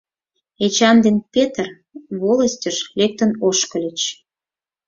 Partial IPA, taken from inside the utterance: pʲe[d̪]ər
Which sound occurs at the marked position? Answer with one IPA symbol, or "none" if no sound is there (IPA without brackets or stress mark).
t̪